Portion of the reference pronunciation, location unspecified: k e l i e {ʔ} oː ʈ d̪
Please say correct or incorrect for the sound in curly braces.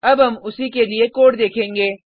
incorrect